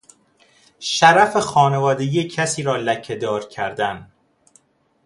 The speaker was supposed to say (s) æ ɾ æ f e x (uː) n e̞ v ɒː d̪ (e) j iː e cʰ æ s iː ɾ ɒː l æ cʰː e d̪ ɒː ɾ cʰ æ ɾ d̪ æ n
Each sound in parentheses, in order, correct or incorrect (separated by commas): incorrect, incorrect, correct